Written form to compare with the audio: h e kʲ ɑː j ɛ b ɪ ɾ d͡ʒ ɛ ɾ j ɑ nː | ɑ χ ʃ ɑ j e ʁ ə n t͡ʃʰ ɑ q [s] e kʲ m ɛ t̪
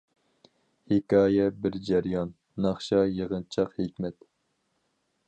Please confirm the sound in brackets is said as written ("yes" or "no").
no